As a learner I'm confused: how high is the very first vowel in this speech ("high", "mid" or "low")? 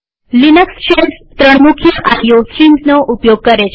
high